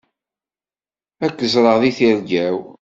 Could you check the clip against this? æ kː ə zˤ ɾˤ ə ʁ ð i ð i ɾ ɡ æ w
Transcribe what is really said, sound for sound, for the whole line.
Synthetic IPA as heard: æ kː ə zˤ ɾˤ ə ʁ ð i θ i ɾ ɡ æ w